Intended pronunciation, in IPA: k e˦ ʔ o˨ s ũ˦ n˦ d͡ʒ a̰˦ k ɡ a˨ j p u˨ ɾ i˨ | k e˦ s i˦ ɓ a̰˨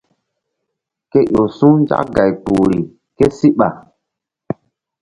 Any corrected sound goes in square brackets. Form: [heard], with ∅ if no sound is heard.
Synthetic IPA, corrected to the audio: k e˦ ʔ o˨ s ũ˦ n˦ d͡ʒ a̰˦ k ɡ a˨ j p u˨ ɾ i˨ | k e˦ s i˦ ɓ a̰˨